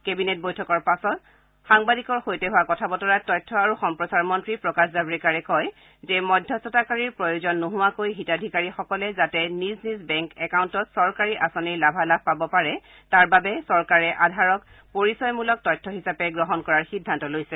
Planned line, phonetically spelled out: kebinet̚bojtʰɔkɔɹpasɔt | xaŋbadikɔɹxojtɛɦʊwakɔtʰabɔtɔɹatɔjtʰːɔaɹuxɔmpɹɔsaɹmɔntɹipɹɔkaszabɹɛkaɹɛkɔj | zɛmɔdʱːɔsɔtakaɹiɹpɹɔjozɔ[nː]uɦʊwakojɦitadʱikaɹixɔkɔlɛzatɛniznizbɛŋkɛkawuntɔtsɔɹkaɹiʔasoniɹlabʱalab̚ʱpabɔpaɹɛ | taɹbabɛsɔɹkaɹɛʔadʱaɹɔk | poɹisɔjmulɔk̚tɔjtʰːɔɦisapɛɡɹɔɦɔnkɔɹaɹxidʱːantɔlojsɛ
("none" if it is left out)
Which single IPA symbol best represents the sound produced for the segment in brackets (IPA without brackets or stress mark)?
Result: nː